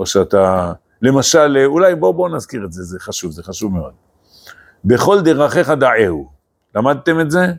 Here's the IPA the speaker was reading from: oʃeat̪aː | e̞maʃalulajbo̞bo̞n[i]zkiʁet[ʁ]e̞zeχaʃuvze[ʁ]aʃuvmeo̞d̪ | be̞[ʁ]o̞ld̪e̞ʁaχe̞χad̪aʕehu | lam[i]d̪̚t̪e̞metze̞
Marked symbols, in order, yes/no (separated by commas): no, no, no, no, no